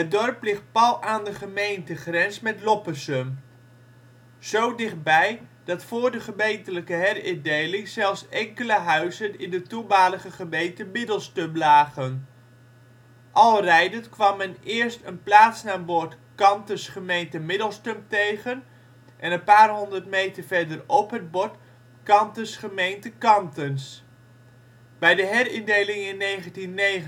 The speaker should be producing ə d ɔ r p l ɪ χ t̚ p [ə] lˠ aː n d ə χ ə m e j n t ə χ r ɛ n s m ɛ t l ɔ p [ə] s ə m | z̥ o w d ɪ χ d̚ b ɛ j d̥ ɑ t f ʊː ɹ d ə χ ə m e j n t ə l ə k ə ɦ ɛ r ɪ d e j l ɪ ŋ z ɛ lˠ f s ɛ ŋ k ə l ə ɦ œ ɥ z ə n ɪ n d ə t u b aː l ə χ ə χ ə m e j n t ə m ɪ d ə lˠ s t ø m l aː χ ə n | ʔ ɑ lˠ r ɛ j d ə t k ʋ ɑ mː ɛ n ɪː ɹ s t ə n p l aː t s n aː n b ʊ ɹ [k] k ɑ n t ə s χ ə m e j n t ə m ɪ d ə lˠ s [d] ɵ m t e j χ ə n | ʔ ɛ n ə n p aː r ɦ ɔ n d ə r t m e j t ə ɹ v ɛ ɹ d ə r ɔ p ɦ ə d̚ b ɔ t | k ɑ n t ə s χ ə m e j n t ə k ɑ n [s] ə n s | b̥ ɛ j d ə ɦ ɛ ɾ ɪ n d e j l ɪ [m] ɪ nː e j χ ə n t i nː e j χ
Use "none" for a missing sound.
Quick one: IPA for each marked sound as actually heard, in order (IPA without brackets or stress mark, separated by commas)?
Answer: ɑ, ə, t, t, t, ŋ